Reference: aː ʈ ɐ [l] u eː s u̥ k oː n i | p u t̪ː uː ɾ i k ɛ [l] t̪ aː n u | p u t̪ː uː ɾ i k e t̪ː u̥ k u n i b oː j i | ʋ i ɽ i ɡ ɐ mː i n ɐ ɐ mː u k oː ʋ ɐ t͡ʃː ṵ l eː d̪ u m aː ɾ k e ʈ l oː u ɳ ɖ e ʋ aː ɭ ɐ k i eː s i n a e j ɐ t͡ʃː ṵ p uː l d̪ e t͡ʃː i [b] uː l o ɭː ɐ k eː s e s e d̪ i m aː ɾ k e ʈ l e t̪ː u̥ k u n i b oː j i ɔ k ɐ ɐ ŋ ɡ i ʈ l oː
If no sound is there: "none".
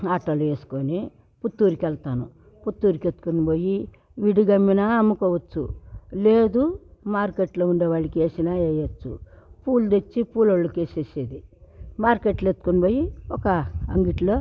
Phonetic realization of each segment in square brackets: l, l, p

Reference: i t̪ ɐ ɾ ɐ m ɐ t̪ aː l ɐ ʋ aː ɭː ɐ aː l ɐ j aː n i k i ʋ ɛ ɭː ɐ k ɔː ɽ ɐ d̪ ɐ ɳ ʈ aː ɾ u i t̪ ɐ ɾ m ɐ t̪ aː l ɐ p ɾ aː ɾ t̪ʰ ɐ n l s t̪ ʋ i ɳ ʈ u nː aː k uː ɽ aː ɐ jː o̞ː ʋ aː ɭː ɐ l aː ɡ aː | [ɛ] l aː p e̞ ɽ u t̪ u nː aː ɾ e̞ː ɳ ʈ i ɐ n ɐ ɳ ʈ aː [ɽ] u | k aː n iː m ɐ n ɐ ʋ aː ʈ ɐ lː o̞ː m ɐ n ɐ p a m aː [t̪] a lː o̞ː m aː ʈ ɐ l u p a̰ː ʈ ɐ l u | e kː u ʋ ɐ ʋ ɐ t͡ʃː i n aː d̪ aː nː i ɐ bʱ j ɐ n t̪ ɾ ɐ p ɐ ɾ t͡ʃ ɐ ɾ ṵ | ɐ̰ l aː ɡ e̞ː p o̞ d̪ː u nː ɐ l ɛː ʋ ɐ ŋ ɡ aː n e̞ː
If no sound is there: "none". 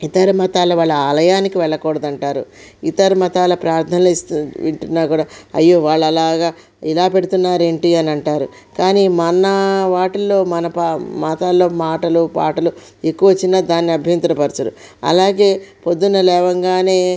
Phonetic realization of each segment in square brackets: i, ɾ, t̪

